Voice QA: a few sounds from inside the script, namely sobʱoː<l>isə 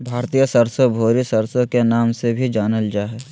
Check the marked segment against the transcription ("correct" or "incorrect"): incorrect